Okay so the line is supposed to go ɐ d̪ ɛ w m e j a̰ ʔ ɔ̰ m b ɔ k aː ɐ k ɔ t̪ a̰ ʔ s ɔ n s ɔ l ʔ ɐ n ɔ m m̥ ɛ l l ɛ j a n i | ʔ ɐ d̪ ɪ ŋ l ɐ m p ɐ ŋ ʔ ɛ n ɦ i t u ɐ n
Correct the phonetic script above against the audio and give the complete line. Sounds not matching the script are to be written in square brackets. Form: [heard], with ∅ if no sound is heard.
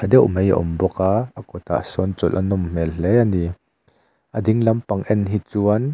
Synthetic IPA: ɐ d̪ ɛ w m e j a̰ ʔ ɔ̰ m b ɔ k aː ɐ k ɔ t̪ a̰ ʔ s ɔ n [t͡s] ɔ l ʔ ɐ n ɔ m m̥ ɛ l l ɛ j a n i | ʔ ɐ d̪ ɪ ŋ l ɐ m p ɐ ŋ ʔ ɛ n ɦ i [t͡s] u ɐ n